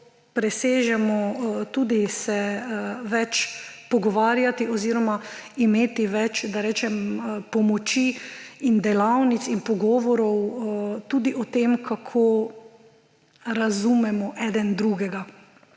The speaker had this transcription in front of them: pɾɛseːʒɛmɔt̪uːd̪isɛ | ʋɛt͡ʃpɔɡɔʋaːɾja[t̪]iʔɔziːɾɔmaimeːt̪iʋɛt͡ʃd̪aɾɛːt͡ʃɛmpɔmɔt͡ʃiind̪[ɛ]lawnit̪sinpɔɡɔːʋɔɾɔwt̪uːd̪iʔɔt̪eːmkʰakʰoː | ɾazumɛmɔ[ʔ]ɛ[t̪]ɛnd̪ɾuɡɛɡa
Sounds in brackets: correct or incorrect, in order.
correct, correct, correct, incorrect: d̪

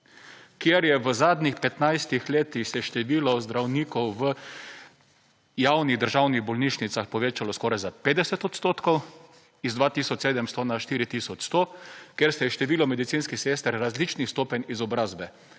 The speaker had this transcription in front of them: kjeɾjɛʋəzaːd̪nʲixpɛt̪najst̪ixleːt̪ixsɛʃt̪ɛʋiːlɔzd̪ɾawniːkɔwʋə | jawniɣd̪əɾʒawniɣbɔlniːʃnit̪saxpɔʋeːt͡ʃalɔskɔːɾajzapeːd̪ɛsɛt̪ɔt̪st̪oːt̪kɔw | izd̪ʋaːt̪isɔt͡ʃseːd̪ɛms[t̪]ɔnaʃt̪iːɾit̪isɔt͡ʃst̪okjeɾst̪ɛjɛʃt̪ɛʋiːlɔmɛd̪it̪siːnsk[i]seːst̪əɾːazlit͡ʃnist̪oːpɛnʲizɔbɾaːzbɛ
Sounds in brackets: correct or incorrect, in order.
correct, correct

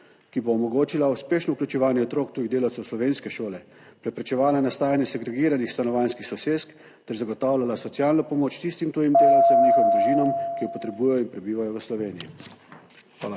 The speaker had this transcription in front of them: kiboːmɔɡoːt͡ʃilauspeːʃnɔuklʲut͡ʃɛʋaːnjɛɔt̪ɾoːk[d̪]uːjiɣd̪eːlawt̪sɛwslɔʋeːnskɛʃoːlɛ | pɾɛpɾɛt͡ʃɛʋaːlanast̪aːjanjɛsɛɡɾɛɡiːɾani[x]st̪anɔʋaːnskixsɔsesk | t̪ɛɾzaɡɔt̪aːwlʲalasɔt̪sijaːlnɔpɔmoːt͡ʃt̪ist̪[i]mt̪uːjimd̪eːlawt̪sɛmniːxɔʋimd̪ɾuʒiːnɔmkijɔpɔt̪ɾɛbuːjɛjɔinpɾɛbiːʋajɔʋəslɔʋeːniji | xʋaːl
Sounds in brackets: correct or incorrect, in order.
incorrect: t̪, correct, correct

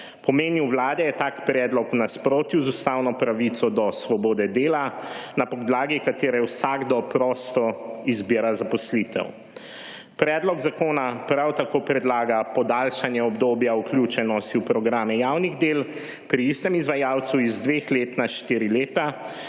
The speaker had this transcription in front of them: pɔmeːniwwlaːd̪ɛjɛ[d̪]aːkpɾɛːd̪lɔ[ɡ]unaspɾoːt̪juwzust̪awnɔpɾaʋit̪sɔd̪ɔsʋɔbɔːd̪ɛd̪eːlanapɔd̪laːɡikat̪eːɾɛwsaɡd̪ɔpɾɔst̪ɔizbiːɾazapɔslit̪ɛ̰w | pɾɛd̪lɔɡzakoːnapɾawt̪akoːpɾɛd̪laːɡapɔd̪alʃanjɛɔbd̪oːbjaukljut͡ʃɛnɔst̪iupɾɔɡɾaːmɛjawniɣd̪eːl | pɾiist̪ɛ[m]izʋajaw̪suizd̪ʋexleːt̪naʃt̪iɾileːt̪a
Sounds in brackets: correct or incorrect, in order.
incorrect: t̪, incorrect: k, correct

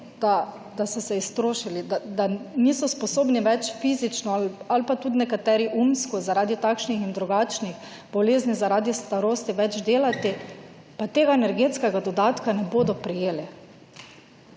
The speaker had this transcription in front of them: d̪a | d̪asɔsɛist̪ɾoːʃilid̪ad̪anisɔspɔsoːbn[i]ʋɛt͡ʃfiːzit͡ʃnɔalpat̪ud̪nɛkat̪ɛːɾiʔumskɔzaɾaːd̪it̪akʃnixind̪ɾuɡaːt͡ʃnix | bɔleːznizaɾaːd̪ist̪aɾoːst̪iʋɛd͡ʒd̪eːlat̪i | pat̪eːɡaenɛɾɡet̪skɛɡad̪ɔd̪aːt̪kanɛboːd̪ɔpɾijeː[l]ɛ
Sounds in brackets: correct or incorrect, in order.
correct, correct

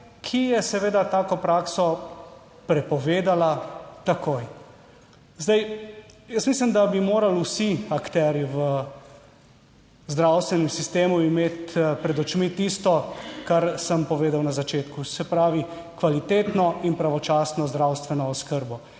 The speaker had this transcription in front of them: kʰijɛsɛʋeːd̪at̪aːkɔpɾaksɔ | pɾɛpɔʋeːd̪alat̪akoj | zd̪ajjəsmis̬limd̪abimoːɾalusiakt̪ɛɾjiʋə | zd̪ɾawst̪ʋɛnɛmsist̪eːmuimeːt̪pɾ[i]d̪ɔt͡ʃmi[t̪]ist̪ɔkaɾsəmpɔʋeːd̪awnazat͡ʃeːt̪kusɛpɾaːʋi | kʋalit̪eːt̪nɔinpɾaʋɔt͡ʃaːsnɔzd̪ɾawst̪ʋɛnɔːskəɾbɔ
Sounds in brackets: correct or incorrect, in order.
incorrect: ɛ, correct

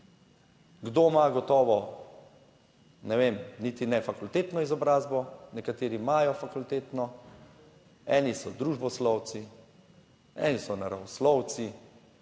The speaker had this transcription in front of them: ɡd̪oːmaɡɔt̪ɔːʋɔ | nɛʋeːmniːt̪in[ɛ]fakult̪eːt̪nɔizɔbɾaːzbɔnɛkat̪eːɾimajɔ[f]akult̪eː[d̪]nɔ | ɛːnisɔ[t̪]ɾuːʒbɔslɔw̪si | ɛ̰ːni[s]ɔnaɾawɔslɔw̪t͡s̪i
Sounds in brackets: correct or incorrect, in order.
correct, correct, incorrect: t̪, incorrect: d̪, correct

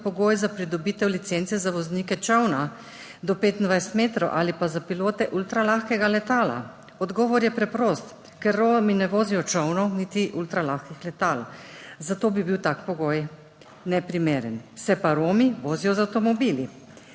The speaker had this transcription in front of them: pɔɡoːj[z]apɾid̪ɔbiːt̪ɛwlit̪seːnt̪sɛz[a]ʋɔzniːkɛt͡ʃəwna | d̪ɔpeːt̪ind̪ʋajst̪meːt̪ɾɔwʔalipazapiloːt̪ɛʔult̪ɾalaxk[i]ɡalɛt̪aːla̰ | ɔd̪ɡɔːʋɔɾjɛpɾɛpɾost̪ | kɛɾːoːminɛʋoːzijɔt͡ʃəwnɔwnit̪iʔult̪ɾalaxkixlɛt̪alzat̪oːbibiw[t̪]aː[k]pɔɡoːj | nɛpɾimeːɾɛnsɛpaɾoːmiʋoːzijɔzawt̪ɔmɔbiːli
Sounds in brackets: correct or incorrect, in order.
correct, correct, incorrect: ɛ, correct, correct

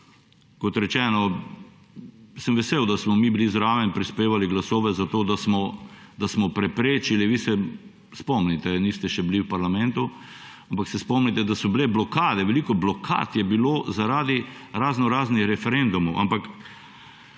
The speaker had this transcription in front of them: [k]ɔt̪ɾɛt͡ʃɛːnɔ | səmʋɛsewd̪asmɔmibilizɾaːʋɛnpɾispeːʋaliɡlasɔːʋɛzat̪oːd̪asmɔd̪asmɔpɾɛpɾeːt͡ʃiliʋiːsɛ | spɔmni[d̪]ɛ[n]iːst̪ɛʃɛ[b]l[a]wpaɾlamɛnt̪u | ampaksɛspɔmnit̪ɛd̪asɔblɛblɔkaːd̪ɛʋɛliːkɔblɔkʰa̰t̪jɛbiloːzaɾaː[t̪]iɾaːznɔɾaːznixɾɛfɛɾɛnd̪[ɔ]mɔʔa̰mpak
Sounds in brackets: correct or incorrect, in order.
correct, incorrect: t̪, correct, correct, incorrect: i, incorrect: d̪, incorrect: u

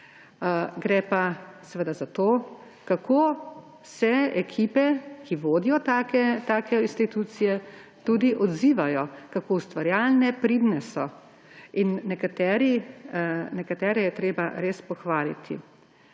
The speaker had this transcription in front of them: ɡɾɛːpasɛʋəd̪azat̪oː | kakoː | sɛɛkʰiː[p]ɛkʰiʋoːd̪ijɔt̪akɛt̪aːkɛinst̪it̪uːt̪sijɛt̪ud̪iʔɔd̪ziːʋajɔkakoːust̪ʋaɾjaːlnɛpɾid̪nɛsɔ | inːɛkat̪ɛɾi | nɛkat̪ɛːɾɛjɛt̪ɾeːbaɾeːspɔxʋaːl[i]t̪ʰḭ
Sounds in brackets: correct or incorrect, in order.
correct, correct

